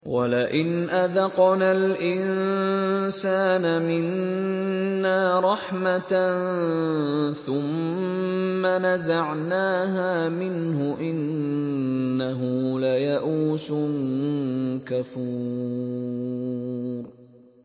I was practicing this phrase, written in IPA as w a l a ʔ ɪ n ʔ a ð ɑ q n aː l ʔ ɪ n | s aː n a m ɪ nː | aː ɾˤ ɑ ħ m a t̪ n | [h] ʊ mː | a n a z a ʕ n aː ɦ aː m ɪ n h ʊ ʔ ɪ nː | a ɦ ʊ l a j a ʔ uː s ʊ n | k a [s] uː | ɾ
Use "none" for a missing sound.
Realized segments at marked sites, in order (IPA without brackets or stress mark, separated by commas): θ, f